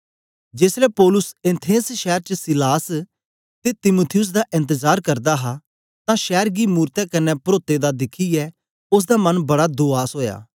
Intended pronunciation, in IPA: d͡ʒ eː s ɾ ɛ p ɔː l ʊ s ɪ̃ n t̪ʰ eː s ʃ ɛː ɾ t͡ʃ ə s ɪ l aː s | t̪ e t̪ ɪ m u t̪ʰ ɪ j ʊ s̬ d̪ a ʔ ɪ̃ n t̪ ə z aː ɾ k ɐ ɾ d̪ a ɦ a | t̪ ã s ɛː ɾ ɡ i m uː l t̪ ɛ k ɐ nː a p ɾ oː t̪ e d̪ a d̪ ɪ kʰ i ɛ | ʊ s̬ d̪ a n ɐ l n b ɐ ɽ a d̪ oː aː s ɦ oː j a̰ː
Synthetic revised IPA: d͡ʒ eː s ɾ ɛ p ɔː l ʊ s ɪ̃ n t̪ʰ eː s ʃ ɛː ɾ t͡ʃ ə s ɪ l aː s | t̪ e t̪ ɪ m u t̪ʰ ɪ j ʊ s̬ d̪ a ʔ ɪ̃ n t̪ ə z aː ɾ k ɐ ɾ d̪ a ɦ a | t̪ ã ʃ ɛː ɾ ɡ i m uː ɾ t̪ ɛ k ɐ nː ɛ p ɾ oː t̪ e d̪ a d̪ ɪ kʰ i ɛ | ʊ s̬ d̪ a m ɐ n b ɐ ɽ a d̪ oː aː s ɦ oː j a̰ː

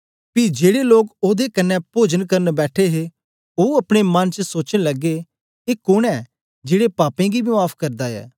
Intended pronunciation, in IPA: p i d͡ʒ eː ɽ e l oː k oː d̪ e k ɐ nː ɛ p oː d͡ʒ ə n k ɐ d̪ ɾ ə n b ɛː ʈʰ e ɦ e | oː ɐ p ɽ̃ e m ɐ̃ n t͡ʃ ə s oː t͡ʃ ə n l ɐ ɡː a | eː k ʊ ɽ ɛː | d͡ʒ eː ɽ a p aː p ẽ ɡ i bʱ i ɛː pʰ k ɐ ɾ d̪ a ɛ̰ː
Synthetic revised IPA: p i d͡ʒ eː ɽ e l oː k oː d̪ e k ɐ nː ɛ p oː d͡ʒ ə n k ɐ ɾ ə n b ɛː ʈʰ e ɦ e | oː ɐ p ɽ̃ e m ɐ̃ n t͡ʃ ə s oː t͡ʃ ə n l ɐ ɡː e | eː k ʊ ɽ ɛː | d͡ʒ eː ɽ e p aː p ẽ ɡ i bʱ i aː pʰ k ɐ ɾ d̪ a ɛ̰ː

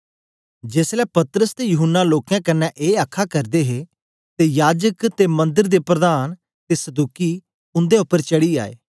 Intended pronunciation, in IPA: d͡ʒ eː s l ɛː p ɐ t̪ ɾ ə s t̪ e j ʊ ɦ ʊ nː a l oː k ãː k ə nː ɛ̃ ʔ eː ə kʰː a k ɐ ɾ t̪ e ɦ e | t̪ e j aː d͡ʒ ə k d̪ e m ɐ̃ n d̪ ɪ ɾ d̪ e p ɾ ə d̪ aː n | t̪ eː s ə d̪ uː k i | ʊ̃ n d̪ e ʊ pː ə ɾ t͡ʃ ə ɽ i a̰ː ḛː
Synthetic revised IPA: d͡ʒ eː s l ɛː p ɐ t̪ ɾ ə s t̪ e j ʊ ɦ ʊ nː a l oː k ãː k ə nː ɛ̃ ʔ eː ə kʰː a k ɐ ɾ d̪ e ɦ e | t̪ e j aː d͡ʒ ə k t̪ e m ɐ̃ n d̪ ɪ ɾ d̪ e p ɾ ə d̪ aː n | t̪ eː s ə d̪ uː k i | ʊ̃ n d̪ e ʊ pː ə ɾ t͡ʃ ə ɽ i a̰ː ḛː

